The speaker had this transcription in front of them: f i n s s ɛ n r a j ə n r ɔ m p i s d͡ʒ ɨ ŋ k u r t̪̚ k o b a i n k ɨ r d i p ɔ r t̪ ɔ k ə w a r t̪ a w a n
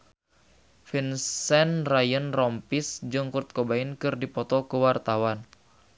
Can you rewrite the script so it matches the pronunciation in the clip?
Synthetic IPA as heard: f i n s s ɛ n r a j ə n r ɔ m p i s d͡ʒ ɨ ŋ k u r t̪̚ k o b a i n k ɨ r d i p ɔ t̪ ɔ k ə w a r t̪ a w a n